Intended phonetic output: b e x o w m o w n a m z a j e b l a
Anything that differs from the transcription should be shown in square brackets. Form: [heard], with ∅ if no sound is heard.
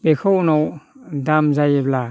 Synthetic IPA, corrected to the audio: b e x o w [n] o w [d] a m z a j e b l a